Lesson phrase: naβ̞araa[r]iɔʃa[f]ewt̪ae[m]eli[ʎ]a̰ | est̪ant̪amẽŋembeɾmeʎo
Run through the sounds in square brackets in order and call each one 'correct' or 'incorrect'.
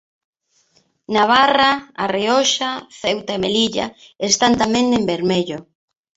correct, incorrect: θ, correct, correct

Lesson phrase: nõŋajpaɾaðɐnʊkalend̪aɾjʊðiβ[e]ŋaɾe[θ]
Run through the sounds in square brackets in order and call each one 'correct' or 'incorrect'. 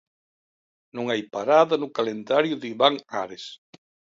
incorrect: a, incorrect: s

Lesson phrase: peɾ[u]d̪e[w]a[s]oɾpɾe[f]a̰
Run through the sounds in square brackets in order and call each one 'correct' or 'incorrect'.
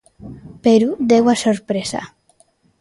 correct, correct, correct, incorrect: s

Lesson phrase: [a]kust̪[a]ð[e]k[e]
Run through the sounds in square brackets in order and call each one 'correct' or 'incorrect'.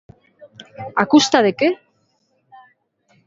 correct, correct, correct, correct

